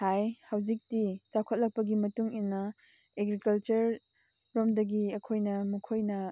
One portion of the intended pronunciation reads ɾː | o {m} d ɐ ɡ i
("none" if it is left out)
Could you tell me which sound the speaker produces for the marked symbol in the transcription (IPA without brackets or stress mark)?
m